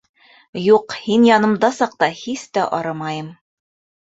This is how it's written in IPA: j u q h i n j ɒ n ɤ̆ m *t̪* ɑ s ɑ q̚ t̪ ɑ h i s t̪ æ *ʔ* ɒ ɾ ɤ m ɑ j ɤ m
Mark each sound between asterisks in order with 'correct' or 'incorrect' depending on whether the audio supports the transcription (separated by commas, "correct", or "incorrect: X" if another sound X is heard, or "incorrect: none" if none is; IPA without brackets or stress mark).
incorrect: d̪, correct